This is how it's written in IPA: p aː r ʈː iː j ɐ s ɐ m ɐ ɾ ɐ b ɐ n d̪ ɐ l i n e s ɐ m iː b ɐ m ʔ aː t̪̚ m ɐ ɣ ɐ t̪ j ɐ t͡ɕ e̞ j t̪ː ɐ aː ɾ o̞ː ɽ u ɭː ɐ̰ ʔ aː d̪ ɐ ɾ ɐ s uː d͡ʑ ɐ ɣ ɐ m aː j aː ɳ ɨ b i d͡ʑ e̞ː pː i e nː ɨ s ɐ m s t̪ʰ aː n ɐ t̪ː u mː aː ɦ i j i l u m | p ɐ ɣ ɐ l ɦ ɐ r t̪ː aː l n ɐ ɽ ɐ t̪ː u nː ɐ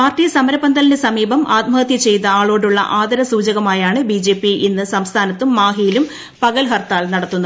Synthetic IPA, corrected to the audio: p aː r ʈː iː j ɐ s ɐ m ɐ ɾ ɐ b ɐ n d̪ ɐ l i n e s ɐ m iː b ɐ m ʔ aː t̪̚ m ɐ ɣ ɐ t̪ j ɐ t͡ɕ e̞ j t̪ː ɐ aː ɭ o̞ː ɽ u ɭː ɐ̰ ʔ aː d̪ ɐ ɾ ɐ s uː d͡ʑ ɐ ɣ ɐ m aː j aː ɳ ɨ b i d͡ʑ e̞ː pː i i nː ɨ s ɐ m s t̪ʰ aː n ɐ t̪ː u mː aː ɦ i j i l u m | p ɐ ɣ ɐ l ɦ ɐ r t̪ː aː l n ɐ ɽ ɐ t̪ː u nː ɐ

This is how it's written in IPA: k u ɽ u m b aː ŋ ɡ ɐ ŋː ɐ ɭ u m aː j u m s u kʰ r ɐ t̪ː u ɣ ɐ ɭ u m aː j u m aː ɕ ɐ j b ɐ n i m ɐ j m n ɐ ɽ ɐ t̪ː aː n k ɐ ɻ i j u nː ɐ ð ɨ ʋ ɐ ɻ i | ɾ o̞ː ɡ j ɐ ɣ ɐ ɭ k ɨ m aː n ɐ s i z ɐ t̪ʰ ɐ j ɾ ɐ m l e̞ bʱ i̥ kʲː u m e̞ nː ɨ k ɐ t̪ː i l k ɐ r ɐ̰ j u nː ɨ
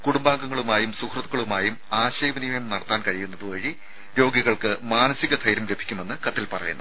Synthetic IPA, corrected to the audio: k u ɽ u m b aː ŋ ɡ ɐ ŋː ɐ ɭ u m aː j u m s u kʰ r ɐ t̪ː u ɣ ɐ ɭ u m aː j u m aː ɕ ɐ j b ɐ n i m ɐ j m n ɐ ɽ ɐ t̪ː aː n k ɐ ɻ i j u nː ɐ ð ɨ ʋ ɐ ɻ i | ɾ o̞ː ɡ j ɐ ɣ ɐ ɭ k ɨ m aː n ɐ s i ɣ ɐ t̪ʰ ɐ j ɾ ɐ m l e̞ bʱ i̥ kʲː u m e̞ nː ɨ k ɐ t̪ː i l p ɐ r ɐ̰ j u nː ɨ

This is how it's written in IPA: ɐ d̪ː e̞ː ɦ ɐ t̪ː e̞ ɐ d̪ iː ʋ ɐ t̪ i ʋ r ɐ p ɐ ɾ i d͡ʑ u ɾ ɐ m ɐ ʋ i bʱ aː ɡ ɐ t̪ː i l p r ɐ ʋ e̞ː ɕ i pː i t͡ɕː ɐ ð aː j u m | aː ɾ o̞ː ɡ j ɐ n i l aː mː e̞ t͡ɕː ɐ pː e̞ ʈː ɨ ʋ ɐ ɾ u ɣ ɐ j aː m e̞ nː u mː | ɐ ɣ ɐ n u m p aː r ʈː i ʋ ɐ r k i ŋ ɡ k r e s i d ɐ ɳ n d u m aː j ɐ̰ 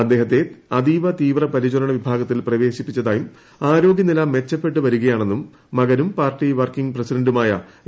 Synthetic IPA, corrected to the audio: ɐ d̪ː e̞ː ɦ ɐ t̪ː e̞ ɐ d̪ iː ʋ ɐ t̪ iː ʋ r ɐ p ɐ ɾ i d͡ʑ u ɾ ɐ ɳ ɐ ʋ i bʱ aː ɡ ɐ t̪ː i l p r ɐ ʋ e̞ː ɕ i pː i t͡ɕː ɐ ð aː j u m | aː ɾ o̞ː ɡ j ɐ n i l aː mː e̞ t͡ɕː ɐ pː e̞ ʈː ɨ ʋ ɐ ɾ u ɣ ɐ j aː ɳ e̞ nː u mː | ɐ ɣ ɐ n u m p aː r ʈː i ʋ ɐ r k i ŋ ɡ p r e s i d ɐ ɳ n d u m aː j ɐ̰

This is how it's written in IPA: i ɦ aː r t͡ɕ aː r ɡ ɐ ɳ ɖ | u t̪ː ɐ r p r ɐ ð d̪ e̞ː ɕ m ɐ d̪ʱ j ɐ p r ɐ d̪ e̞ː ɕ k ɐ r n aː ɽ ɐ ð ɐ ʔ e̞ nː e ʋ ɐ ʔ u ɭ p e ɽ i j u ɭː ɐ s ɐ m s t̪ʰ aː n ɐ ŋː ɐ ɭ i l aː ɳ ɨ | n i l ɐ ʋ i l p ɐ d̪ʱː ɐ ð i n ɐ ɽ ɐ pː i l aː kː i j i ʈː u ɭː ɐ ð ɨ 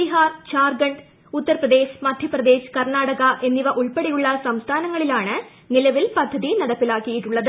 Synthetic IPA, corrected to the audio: i ɦ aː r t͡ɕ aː r ɡ ɐ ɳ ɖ | u t̪ː ɐ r p r ɐ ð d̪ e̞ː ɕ m ɐ d̪ʱ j ɐ p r ɐ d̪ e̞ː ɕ k ɐ r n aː ɽ ɐ ɣ ɐ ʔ e̞ nː i ʋ ɐ ʔ u ɭ p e ɽ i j u ɭː ɐ s ɐ m s t̪ʰ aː n ɐ ŋː ɐ ɭ i l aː ɳ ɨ | n i l ɐ ʋ i l p ɐ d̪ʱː ɐ ð i n ɐ ɽ ɐ pː i l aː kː i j i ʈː u ɭː ɐ ð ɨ

